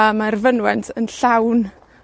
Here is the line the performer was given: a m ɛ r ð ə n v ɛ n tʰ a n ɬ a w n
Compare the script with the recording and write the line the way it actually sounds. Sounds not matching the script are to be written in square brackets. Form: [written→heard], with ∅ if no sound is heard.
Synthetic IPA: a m [ɛ→a] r [ð→v] ə n [v→w] ɛ n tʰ [a→ə] n ɬ a w n